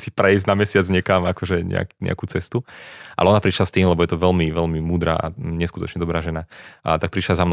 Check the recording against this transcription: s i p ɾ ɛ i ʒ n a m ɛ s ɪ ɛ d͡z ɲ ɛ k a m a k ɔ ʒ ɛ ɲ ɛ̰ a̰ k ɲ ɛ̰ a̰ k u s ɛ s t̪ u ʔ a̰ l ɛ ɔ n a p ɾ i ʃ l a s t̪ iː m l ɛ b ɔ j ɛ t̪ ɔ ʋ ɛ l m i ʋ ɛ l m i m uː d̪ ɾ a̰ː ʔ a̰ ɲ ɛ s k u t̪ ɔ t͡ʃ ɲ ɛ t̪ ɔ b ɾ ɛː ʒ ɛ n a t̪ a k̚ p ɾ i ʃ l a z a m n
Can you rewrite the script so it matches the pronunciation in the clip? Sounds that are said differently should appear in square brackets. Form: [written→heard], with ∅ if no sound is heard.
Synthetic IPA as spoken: s i p ɾ ɛ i [ʒ→z] n a m ɛ s ɪ [ɛ→a] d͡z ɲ ɛ k a m a k ɔ ʒ ɛ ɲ ɛ̰ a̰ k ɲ ɛ̰ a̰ k u [s→t͡s] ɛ s t̪ u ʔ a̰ l ɛ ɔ n a p ɾ i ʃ l a s t̪ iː m l ɛ b ɔ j ɛ t̪ ɔ ʋ ɛ l m i ʋ ɛ l m i m uː d̪ ɾ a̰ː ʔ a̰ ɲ ɛ s k u t̪ ɔ t͡ʃ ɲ ɛ [t̪→d̪] ɔ b ɾ [ɛː→aː] ʒ ɛ n a t̪ a k̚ p ɾ i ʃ l a z a m n